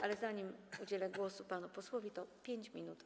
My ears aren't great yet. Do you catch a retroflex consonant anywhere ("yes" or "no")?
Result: no